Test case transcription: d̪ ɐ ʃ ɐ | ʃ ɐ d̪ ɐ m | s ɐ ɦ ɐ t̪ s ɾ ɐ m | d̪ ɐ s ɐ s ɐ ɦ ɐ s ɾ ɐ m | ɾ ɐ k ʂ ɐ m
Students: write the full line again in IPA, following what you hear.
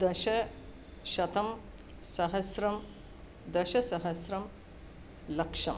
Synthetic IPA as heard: d̪ ɐ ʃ ɐ | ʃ ɐ t̪ ɐ m | s ɐ ɦ ɐ s ɾ ɐ m | d̪ ɐ ʃ ɐ s ɐ ɦ ɐ s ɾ ɐ m | l ɐ k ʂ ɐ m

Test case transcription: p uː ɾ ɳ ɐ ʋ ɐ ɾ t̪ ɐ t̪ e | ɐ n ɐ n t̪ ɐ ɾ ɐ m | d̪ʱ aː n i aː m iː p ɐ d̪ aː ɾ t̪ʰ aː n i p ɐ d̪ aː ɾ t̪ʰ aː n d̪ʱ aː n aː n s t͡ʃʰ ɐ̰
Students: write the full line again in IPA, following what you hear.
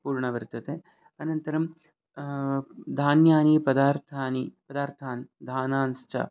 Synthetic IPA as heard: p uː ɾ ɳ ɐ ʋ ɐ ɾ t̪ ɐ t̪ e | ɐ n ɐ n t̪ ɐ ɾ ɐ m | d̪ʱ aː n j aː n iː p ɐ d̪ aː ɾ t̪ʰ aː n i p ɐ d̪ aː ɾ t̪ʰ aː n d̪ʱ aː n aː n s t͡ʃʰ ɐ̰

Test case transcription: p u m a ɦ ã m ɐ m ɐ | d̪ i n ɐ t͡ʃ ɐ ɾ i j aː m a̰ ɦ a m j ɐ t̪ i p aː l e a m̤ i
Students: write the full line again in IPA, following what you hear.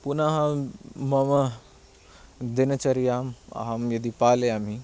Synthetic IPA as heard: p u n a ɦ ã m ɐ m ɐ | d̪ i n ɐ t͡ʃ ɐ ɾ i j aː m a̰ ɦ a m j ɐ d̪ i p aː l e a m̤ i

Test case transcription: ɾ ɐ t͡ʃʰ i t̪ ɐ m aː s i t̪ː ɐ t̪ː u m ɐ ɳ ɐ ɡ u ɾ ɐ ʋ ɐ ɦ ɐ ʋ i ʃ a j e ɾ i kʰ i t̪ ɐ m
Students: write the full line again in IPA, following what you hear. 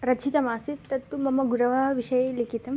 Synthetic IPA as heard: ɾ ɐ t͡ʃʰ i t̪ ɐ m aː s i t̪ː ɐ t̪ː u m ɐ m ɐ ɡ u ɾ ɐ ʋ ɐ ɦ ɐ ʋ i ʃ ɐ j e l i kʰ i t̪ ɐ m

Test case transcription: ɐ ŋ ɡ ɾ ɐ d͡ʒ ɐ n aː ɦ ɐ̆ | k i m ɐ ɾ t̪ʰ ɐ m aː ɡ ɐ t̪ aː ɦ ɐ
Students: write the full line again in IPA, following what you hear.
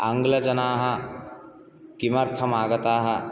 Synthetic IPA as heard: ɐ ŋ ɡ l ɐ d͡ʒ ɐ n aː ɦ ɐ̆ | k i m ɐ ɾ t̪ʰ ɐ m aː ɡ ɐ t̪ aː ɦ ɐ

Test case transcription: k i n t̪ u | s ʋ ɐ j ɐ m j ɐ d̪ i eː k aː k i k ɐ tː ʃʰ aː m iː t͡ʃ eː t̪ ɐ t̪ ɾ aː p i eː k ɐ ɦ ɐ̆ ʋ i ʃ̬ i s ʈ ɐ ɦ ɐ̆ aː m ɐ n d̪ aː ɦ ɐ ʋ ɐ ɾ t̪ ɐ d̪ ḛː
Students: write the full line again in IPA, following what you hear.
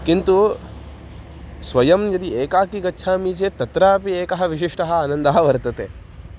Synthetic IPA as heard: k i n t̪ u | s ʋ ɐ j ɐ m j ɐ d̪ i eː k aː k i ɡ ɐ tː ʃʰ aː m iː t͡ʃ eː t̪ ɐ t̪ ɾ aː p i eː k ɐ ɦ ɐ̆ ʋ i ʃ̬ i ʂ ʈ ɐ ɦ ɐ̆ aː n ɐ n d̪ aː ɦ ɐ ʋ ɐ ɾ t̪ ɐ t̪ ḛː

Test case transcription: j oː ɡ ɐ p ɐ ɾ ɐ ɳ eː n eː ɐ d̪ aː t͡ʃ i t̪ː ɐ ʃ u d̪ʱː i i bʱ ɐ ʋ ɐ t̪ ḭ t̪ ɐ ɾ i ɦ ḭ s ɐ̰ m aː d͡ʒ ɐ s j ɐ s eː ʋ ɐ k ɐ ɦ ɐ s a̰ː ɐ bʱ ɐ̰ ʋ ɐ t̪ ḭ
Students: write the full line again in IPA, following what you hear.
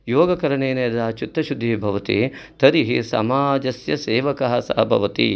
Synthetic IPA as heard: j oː ɡ ɐ k ɐ ɾ ɐ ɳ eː n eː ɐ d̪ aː t͡ʃ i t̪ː ɐ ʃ u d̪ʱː i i bʱ ɐ ʋ ɐ t̪ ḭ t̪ ɐ ɾ i ɦ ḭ s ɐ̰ m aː d͡ʒ ɐ s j ɐ s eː ʋ ɐ k ɐ ɦ ɐ s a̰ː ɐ bʱ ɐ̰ ʋ ɐ t̪ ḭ

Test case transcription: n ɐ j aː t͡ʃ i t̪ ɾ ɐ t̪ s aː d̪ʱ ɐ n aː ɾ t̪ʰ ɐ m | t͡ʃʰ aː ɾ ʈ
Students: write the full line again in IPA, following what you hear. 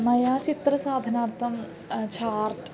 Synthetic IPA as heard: m ɐ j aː t͡ʃ i t̪ ɾ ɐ s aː d̪ʱ ɐ n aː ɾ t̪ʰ ɐ m | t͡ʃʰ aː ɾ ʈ

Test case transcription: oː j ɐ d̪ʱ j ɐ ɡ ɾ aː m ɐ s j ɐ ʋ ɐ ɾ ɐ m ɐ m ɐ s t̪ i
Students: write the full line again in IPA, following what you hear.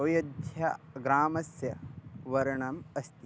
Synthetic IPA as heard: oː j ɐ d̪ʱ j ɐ ɡ ɾ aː m ɐ s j ɐ ʋ ɐ ɾ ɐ ɳ ɐ m ɐ s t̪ i

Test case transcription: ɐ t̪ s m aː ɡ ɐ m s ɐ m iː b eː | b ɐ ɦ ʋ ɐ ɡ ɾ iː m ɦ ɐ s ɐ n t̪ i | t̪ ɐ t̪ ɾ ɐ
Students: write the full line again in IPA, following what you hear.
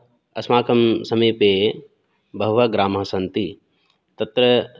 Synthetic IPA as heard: ɐ s m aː k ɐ m s ɐ m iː p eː | b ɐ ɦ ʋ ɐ ɡ ɾ aː m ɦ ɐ s ɐ n t̪ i | t̪ ɐ t̪ ɾ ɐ

